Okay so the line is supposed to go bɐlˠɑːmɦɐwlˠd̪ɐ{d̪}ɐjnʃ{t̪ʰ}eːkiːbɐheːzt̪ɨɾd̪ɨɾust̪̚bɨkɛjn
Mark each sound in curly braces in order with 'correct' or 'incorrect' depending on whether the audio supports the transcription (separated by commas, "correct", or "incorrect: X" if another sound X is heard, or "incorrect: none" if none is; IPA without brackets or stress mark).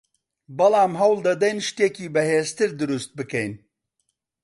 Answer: correct, incorrect: t̪